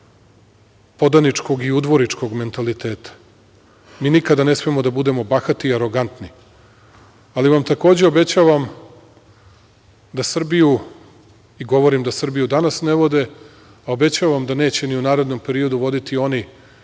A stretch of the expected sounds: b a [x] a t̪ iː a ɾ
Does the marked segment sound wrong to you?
no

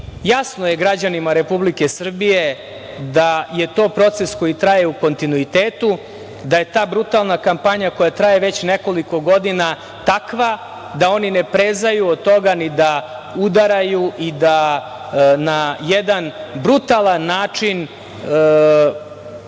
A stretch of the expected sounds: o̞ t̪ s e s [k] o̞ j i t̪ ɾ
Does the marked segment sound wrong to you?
no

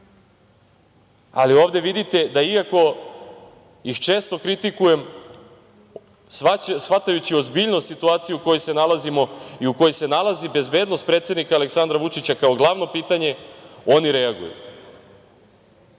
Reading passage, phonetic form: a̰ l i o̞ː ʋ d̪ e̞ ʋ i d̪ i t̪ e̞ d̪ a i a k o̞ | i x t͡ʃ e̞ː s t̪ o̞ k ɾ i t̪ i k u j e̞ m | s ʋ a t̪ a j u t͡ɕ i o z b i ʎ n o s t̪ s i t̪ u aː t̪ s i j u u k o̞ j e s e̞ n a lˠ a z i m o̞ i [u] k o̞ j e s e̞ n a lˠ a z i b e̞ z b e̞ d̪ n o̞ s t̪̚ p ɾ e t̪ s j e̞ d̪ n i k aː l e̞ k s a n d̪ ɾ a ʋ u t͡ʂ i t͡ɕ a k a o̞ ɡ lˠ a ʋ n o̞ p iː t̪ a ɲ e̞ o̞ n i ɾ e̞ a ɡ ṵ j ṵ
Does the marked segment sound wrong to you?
no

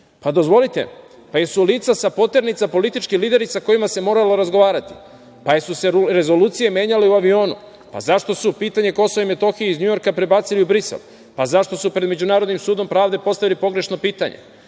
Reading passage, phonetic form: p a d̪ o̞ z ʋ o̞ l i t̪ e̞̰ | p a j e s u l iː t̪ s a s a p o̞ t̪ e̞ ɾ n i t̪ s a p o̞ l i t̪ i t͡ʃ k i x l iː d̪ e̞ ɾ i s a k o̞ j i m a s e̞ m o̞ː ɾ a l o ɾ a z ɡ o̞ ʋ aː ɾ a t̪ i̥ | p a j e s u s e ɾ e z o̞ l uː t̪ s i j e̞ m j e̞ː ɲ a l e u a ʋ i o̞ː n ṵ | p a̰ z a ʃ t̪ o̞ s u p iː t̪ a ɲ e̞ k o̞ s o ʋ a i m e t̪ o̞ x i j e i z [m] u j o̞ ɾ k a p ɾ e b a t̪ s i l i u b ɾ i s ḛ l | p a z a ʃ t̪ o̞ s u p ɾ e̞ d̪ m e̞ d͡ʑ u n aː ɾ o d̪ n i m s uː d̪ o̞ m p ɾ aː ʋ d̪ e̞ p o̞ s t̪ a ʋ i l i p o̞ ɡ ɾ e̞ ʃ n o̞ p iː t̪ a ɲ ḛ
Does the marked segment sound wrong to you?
yes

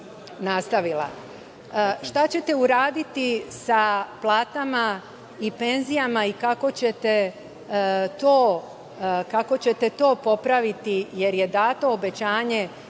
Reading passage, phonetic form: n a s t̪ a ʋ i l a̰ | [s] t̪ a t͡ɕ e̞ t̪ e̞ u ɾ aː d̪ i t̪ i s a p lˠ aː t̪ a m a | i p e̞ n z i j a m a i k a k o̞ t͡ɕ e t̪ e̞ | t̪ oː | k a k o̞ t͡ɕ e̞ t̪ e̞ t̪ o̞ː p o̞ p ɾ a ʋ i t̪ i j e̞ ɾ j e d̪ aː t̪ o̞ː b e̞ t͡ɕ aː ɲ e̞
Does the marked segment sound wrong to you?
yes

